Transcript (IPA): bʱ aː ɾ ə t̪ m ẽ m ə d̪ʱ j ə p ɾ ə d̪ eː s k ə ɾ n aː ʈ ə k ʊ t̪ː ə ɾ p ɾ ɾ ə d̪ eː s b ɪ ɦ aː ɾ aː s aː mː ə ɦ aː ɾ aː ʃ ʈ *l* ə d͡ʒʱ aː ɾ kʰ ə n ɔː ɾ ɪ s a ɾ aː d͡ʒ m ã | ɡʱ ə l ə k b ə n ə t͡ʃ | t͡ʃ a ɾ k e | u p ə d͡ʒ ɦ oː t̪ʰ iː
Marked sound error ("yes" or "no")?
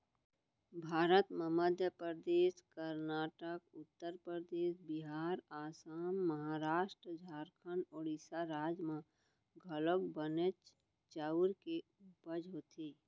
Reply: yes